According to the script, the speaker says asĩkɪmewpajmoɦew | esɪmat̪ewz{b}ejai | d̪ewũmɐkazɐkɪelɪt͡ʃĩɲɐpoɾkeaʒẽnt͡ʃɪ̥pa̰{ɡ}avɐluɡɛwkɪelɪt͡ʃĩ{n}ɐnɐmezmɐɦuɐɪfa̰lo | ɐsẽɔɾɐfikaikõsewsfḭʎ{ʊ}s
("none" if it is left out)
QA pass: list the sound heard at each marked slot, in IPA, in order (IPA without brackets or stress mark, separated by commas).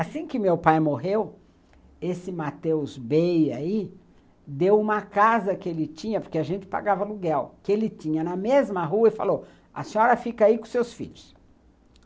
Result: b, ɡ, ɲ, ʊ